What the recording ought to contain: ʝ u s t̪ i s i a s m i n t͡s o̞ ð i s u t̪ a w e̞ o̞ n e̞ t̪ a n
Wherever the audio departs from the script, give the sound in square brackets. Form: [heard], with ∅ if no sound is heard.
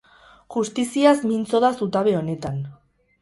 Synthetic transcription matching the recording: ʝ u s t̪ i s i a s m i n t͡s o̞ ð [a] s u t̪ a [β] e̞ o̞ n e̞ t̪ a n